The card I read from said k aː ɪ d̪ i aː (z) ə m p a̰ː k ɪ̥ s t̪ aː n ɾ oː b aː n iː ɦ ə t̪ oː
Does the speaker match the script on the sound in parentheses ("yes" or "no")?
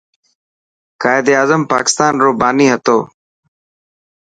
yes